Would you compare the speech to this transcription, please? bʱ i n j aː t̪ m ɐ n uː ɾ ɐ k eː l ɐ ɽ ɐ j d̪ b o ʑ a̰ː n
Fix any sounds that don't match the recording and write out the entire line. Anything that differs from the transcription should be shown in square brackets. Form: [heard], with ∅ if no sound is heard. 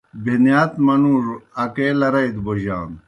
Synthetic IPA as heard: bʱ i n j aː t̪ m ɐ n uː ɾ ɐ k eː l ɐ [ɾ] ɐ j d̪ b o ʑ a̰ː n